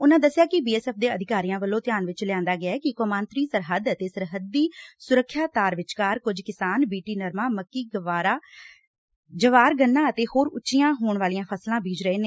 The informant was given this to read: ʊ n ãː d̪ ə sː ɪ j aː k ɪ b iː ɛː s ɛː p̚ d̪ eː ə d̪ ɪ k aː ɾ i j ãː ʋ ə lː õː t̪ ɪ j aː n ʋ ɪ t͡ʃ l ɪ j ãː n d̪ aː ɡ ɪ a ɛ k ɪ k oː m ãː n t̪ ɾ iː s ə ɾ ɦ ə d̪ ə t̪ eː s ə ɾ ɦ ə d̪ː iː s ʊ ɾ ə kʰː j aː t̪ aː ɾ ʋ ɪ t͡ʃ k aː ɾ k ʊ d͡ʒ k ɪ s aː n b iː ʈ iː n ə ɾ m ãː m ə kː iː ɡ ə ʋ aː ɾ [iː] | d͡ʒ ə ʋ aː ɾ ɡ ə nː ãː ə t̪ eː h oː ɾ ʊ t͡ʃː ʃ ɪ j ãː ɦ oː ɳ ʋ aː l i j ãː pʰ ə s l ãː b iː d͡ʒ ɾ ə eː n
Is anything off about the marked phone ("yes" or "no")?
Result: yes